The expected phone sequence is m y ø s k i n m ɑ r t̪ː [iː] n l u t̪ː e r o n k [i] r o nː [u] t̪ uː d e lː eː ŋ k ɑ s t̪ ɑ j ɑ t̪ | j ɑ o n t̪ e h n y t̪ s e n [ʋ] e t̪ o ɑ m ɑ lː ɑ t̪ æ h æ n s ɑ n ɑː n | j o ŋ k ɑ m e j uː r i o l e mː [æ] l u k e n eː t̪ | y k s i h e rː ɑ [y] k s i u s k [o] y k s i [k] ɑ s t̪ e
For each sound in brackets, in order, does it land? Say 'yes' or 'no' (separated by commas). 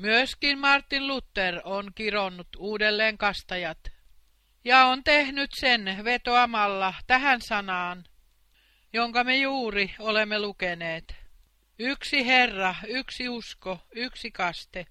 no, yes, yes, yes, no, yes, yes, yes